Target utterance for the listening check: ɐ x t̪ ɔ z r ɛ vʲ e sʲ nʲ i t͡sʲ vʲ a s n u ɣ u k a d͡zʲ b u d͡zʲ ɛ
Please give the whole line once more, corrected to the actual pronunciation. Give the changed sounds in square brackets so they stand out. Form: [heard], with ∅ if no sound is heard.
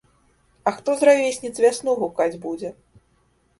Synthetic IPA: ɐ x t̪ ɔ z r [a] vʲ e sʲ nʲ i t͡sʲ vʲ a s n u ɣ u k a d͡zʲ b u d͡zʲ ɛ